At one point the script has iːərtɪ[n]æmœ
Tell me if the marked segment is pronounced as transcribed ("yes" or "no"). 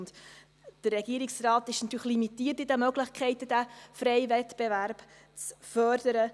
no